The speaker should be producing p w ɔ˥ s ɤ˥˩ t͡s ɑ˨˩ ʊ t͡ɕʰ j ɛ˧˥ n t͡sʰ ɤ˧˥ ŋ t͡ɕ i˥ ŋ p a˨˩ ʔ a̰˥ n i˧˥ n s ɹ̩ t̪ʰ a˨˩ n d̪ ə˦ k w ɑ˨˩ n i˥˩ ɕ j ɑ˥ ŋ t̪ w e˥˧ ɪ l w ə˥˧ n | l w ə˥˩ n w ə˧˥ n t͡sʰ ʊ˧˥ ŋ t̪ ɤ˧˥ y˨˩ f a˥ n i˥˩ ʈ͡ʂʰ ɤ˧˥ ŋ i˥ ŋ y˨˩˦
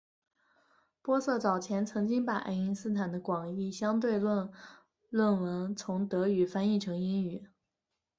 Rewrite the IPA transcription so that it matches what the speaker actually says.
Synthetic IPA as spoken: p w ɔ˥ s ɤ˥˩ t͡s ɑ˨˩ ʊ t͡ɕʰ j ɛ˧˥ n t͡sʰ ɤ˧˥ ŋ t͡ɕ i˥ ŋ p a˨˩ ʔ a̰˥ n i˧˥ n s ɹ̩ t̪ʰ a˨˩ n d̪ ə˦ k w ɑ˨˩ ŋ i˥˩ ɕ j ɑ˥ ŋ t̪ w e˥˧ ɪ l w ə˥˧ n | l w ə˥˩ n w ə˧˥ n t͡sʰ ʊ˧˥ ŋ t̪ ɤ˧˥ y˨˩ f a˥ n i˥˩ ʈ͡ʂʰ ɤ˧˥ ŋ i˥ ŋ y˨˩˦

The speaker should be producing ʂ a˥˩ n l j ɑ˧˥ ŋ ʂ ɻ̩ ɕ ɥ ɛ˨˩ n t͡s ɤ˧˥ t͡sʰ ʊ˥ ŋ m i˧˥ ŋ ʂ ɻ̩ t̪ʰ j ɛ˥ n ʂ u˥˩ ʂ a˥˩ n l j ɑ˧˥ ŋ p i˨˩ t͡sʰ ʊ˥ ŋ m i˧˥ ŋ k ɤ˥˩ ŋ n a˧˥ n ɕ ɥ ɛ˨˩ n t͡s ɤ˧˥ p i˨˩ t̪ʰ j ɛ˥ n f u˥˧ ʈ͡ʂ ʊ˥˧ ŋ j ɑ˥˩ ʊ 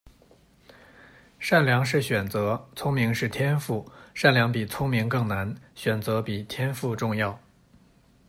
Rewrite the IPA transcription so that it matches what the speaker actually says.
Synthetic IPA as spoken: ʂ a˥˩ n l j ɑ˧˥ ŋ ʂ ɻ̩ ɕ ɥ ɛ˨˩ n t͡s ɤ˧˥ t͡sʰ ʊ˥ ŋ m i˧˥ ŋ ʂ ɻ̩ t̪ʰ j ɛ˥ n f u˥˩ ʂ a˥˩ n l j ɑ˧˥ ŋ p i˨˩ t͡sʰ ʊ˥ ŋ m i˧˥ ŋ k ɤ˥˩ ŋ n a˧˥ n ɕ ɥ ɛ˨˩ n t͡s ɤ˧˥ p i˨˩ t̪ʰ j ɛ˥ n f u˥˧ ʈ͡ʂ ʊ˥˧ ŋ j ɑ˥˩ ʊ

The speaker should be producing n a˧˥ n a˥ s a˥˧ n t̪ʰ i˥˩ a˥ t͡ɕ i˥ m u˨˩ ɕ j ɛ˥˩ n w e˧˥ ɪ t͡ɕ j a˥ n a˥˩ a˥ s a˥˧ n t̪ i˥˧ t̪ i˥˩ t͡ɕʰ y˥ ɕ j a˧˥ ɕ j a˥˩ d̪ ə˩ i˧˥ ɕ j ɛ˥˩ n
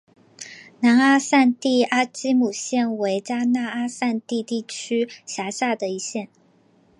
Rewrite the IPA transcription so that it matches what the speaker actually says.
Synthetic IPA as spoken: n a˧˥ n a˥ s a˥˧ n t̪ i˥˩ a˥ t͡ɕ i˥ m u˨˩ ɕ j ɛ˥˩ n w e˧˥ ɪ t͡ɕ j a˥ n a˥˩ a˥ s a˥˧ n t̪ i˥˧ t̪ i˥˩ t͡ɕʰ y˥ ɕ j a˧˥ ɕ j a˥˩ d̪ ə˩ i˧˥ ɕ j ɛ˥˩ n

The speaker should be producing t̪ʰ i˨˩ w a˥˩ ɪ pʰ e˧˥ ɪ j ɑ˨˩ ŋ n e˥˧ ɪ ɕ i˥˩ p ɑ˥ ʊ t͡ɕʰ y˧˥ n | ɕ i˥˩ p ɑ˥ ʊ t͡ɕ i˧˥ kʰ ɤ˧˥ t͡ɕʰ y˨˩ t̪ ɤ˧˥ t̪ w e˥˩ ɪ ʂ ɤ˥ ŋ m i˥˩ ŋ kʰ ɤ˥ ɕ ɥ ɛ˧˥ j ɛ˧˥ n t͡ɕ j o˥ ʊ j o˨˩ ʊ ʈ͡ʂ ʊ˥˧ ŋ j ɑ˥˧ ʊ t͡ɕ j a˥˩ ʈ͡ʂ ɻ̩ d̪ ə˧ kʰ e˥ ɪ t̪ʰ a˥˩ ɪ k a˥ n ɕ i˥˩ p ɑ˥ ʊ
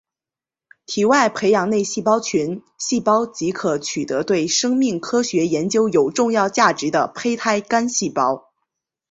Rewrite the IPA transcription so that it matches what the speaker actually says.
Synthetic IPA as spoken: t̪ʰ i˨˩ w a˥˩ ɪ pʰ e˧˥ ɪ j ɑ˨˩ ŋ n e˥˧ ɪ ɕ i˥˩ p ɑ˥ ʊ t͡ɕʰ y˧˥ n | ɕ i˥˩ p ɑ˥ ʊ t͡ɕ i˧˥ kʰ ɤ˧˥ t͡ɕʰ y˨˩ t̪ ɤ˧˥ t̪ w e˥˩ ɪ ʂ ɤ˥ ŋ m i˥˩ ŋ kʰ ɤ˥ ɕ ɥ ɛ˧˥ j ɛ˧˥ n t͡ɕ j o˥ ʊ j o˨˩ ʊ ʈ͡ʂ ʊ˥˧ ŋ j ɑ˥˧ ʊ t͡ɕ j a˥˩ ʈ͡ʂ ɻ̩ d̪ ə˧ pʰ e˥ ɪ t̪ʰ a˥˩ ɪ k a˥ n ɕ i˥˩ p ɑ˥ ʊ

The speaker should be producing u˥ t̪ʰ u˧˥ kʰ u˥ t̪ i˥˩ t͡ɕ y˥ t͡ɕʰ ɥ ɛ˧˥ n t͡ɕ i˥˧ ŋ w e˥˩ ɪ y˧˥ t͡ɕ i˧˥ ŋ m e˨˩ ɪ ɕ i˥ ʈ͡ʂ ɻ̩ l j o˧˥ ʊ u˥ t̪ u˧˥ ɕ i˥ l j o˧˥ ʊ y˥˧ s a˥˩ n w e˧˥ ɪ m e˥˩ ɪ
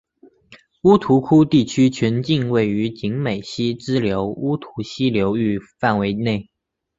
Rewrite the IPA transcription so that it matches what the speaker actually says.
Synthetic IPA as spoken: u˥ t̪ʰ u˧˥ kʰ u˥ t̪ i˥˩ t͡ɕʰ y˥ t͡ɕʰ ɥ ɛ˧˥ n t͡ɕ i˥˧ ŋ w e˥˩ ɪ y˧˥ t͡ɕ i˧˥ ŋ m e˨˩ ɪ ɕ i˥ ʈ͡ʂ ɻ̩ l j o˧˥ ʊ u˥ t̪ʰ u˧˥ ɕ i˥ l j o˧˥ ʊ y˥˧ f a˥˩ n w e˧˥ ɪ n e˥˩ ɪ

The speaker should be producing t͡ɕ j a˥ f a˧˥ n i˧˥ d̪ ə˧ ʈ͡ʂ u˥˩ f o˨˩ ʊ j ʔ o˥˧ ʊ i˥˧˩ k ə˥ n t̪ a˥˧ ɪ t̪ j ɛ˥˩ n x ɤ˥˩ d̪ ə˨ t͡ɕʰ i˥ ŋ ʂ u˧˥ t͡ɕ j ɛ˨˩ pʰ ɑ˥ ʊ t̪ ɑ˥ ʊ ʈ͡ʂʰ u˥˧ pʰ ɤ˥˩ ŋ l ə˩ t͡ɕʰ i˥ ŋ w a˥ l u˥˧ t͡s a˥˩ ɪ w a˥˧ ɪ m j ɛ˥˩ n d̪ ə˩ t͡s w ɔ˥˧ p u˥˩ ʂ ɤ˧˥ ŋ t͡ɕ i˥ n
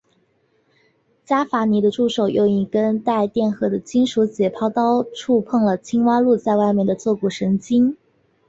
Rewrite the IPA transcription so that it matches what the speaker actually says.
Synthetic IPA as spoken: t͡ɕ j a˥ f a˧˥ n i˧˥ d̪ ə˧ ʈ͡ʂ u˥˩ ʂ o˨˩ ʊ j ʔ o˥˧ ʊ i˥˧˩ k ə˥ n t̪ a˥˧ ɪ t̪ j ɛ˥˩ n x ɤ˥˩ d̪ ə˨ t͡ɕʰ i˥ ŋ ʂ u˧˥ t͡ɕ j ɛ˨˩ pʰ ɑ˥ ʊ t̪ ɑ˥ ʊ ʈ͡ʂʰ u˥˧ pʰ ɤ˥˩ ŋ l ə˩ t͡ɕʰ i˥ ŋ w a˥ l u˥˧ t͡s a˥˧ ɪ w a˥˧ ɪ m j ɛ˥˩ n d̪ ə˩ t͡s w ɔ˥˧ k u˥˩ ʂ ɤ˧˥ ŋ t͡ɕ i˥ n

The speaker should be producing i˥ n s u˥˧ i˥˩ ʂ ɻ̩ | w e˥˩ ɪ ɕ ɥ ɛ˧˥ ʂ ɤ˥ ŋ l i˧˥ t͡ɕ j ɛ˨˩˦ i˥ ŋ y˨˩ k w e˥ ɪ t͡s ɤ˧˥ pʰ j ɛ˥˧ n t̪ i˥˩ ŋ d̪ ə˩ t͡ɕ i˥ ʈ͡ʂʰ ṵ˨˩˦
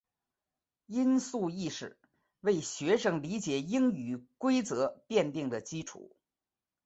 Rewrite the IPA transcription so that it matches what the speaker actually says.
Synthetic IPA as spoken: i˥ n s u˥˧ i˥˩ ʂ ɻ̩ | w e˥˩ ɪ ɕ ɥ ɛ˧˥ ʂ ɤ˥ ŋ l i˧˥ t͡ɕ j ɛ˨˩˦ i˥ ŋ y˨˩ k w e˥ ɪ t͡s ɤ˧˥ p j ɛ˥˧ n t̪ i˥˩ ŋ d̪ ə˩ t͡ɕ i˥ ʈ͡ʂʰ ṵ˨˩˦

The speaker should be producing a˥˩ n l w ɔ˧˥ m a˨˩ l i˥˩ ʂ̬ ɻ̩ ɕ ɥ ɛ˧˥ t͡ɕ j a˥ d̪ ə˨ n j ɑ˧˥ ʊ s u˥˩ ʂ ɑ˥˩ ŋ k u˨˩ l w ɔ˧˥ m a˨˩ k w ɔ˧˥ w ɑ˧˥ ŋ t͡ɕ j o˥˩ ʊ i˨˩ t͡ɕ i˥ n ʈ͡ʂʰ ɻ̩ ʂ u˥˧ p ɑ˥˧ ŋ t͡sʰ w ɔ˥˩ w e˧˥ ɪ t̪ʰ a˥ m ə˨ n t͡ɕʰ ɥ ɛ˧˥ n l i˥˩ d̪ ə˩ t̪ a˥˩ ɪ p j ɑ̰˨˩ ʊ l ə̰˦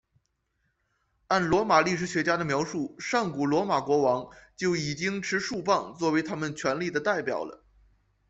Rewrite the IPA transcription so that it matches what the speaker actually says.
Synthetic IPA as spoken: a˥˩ n l w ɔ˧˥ m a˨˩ l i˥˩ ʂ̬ ɻ̩ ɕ ɥ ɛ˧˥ t͡ɕ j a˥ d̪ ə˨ m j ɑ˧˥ ʊ ʂ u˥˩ ʂ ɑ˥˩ ŋ k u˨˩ l w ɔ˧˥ m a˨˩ k w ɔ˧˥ w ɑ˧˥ ŋ t͡ɕ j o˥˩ ʊ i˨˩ t͡ɕ i˥ ŋ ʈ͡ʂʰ ɻ̩ ʂ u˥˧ p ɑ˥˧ ŋ t͡s w ɔ˥˩ w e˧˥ ɪ t̪ʰ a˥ m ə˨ n t͡ɕʰ ɥ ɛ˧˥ n l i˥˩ d̪ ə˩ t̪ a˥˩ ɪ p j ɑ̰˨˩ ʊ l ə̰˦

